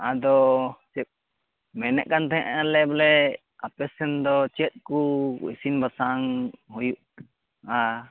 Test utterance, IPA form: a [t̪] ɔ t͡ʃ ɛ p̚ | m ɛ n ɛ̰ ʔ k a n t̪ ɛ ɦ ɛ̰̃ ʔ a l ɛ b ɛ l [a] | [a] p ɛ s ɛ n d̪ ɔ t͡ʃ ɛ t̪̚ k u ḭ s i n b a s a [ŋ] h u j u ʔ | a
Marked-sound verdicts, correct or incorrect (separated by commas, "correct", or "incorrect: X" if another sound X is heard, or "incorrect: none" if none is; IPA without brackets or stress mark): incorrect: d̪, incorrect: ɛ, correct, correct